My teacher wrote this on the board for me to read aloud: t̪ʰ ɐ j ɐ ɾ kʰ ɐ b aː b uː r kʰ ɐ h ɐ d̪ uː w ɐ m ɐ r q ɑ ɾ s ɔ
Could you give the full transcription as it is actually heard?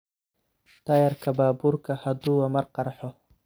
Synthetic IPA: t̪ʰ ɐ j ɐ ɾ kʰ ɐ b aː b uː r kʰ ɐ h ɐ d̪ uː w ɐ m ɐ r q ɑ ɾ ħ ɔ